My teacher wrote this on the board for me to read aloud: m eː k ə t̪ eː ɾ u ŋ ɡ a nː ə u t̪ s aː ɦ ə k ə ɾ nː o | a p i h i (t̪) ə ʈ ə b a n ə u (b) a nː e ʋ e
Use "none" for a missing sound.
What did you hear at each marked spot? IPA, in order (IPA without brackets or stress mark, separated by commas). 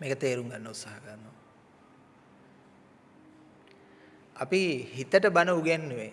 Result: t̪, ɡ